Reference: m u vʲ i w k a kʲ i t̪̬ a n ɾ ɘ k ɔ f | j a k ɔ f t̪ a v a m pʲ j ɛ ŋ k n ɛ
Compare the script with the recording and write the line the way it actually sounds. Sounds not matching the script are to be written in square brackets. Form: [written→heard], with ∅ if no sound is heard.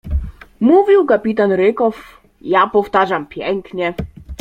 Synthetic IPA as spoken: m u vʲ i w k a [kʲ→pʲ] i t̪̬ a n ɾ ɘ k ɔ f | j a [k→p] ɔ f t̪ a [v→ʐ] a m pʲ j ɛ ŋ k [n→ɲ] ɛ

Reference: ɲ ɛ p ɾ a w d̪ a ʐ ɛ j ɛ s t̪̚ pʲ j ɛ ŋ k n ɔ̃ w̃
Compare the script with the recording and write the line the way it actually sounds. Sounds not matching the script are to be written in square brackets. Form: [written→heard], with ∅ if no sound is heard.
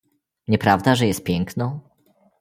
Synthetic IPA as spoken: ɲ ɛ p ɾ a [w→v] d̪ a ʐ ɛ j ɛ s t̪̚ pʲ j ɛ ŋ k n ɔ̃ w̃

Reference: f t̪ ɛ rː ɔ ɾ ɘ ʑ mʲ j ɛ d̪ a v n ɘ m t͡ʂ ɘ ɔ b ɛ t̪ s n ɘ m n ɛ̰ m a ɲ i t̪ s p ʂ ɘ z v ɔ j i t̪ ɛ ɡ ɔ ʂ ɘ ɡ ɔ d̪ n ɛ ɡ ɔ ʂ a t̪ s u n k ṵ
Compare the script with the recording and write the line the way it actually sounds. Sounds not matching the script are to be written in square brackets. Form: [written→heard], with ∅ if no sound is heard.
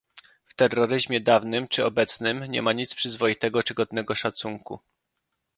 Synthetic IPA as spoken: f t̪ ɛ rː ɔ ɾ ɘ ʑ mʲ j ɛ d̪ a v n ɘ m t͡ʂ ɘ ɔ b ɛ t̪ s n ɘ m [n→ɲ] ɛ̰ m a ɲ i t̪ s p ʂ ɘ z v ɔ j i t̪ ɛ ɡ ɔ [ʂ→t͡ʂ] ɘ ɡ ɔ d̪ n ɛ ɡ ɔ ʂ a t̪ s u [n→ŋ] k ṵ

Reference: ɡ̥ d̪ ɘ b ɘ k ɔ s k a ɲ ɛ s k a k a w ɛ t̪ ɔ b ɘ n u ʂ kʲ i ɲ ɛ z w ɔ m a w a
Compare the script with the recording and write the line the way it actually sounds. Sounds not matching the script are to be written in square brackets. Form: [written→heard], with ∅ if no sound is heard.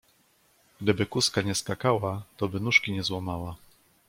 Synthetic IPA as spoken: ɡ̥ d̪ ɘ b ɘ k [ɔ→u] s k a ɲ ɛ s k a k a w [ɛ→a] t̪ ɔ b ɘ n u ʂ kʲ i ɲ ɛ z w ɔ m a w a

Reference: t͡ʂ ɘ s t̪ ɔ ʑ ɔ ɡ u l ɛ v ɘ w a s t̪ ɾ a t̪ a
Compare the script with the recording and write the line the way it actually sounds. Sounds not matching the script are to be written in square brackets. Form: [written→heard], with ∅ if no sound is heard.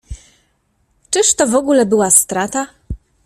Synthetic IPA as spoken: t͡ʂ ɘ [s→ʂ] t̪ ɔ [ʑ→v] ɔ ɡ u l ɛ [v→b] ɘ w a s t̪ ɾ a t̪ a

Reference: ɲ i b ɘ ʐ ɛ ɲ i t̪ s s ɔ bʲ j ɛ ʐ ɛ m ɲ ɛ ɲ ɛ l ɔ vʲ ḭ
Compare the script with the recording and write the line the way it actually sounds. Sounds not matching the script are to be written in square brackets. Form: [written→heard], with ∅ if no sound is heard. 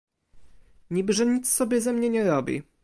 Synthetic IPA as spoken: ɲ i b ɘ ʐ ɛ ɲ i t̪ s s ɔ bʲ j ɛ [ʐ→z] ɛ m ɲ ɛ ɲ ɛ [l→ɾ] ɔ [vʲ→bʲ] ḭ

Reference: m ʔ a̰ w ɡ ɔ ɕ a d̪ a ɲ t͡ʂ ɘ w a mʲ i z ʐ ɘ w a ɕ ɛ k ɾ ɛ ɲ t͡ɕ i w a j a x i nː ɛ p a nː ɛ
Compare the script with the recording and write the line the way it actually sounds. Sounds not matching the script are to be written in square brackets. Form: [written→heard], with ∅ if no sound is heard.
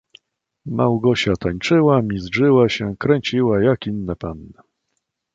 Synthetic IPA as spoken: m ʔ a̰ w ɡ ɔ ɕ a [d̪→t̪] a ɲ t͡ʂ ɘ w a mʲ i z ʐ ɘ w a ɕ ɛ k ɾ ɛ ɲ t͡ɕ i w a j a [x→k] i nː ɛ p a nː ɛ

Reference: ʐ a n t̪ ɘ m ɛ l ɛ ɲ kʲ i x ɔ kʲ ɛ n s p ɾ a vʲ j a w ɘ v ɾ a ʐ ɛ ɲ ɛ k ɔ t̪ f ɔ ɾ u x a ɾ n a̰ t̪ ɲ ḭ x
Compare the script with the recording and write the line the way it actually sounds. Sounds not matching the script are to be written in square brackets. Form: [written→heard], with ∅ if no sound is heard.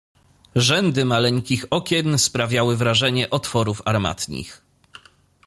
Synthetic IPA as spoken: ʐ [a→ɛ] n [t̪→d̪] ɘ m [ɛ→a] l ɛ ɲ kʲ i x ɔ kʲ ɛ n s p ɾ a vʲ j a w ɘ v ɾ a ʐ ɛ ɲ ɛ [k→ʔ] ɔ t̪ f ɔ ɾ u [x→f] a ɾ [n→m] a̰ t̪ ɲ ḭ x

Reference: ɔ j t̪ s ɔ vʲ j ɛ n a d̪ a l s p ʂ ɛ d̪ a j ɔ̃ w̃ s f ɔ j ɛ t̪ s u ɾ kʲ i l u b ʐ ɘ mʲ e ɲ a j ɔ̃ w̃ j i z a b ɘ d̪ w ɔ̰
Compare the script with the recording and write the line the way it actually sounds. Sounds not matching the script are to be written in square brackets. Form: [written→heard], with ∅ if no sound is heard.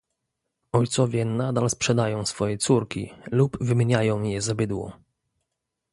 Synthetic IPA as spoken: ɔ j t̪ s ɔ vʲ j ɛ n a d̪ a l s p ʂ ɛ d̪ a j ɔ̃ w̃ s f ɔ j ɛ t̪ s u ɾ kʲ i l u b [ʐ→v] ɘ mʲ e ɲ a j ɔ̃ w̃ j [i→ɛ] z a b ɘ d̪ w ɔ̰

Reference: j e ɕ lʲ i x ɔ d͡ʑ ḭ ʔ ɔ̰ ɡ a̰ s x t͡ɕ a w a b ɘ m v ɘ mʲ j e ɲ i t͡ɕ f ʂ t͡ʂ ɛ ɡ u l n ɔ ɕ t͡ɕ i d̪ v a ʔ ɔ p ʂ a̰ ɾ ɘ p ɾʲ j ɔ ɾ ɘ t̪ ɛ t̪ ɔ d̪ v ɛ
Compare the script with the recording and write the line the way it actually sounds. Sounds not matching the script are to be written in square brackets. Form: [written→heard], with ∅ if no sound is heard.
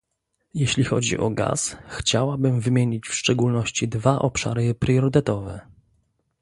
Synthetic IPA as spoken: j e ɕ lʲ i x ɔ d͡ʑ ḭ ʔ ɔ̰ ɡ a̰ s x t͡ɕ a w a b ɘ m v ɘ mʲ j e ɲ i t͡ɕ f ʂ t͡ʂ ɛ ɡ u l n ɔ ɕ t͡ɕ i d̪ v a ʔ ɔ p ʂ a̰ ɾ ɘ p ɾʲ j ɔ ɾ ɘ t̪ ɛ t̪ ɔ [d̪→∅] v ɛ

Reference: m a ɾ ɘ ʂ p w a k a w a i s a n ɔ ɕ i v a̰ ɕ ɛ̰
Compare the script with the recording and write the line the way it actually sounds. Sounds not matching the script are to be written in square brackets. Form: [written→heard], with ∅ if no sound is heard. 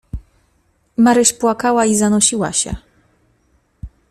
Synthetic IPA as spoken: m a ɾ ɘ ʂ p w a k a w a i [s→z] a n ɔ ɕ i [v→w] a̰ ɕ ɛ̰

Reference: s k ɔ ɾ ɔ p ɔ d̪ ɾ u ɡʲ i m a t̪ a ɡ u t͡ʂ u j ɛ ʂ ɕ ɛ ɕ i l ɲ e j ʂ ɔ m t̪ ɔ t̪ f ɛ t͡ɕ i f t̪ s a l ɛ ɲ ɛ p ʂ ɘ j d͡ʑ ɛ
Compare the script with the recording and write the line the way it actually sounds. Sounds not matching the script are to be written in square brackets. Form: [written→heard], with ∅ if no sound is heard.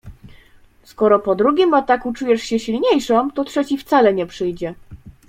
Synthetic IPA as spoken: s k ɔ ɾ ɔ p ɔ d̪ ɾ u ɡʲ i m a t̪ a [ɡ→k] u t͡ʂ u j ɛ ʂ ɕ ɛ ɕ i l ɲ e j ʂ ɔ m t̪ ɔ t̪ [f→ʂ] ɛ t͡ɕ i f t̪ s a l ɛ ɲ ɛ p ʂ ɘ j d͡ʑ ɛ

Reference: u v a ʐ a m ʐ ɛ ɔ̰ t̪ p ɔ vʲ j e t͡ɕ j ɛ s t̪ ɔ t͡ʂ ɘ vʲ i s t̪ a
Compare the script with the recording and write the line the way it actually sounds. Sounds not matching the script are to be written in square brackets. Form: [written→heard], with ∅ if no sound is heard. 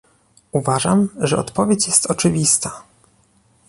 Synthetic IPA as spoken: u v a ʐ a m ʐ ɛ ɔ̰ t̪ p ɔ vʲ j e t͡ɕ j ɛ s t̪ ɔ t͡ʂ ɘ vʲ i s t̪ a

